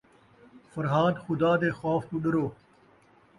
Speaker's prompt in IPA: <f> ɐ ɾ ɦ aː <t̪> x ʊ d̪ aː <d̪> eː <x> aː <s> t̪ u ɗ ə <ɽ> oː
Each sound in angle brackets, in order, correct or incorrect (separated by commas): correct, incorrect, correct, correct, incorrect, incorrect